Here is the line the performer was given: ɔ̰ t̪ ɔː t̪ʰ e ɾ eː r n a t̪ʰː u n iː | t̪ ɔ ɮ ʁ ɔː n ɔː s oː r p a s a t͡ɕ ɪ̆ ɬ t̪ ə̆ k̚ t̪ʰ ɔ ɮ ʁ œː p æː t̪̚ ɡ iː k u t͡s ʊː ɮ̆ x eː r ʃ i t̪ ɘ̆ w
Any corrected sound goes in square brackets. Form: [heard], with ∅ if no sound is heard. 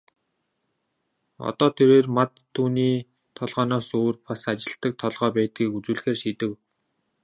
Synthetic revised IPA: ɔ̰ t̪ ɔː t̪ʰ e ɾ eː r [m] a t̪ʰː [uː] n iː | [t̪ʰ] ɔ ɮ ʁ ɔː n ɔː s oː r p a s a t͡ɕ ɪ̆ ɬ t̪ ə̆ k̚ t̪ʰ ɔ ɮ ʁ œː p æː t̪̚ ɡ iː k u t͡s [uː] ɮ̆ x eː r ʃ i t̪ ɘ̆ w